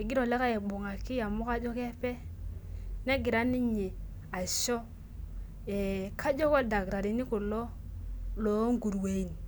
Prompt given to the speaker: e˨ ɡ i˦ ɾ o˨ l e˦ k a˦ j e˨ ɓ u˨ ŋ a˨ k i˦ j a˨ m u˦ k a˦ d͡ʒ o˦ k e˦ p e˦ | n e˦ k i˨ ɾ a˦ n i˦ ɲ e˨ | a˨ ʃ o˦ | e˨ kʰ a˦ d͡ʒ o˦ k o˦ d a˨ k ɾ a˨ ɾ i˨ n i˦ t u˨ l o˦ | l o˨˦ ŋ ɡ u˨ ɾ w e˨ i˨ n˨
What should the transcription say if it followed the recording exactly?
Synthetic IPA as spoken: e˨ ɡ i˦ ɾ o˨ l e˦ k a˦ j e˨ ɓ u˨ ŋ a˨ k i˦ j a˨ m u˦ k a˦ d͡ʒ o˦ k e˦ p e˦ | n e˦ ɡ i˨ ɾ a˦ n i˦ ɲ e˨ | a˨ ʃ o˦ | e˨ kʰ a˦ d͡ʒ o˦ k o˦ d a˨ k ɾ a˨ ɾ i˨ n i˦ k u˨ l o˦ | l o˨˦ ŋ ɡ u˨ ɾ w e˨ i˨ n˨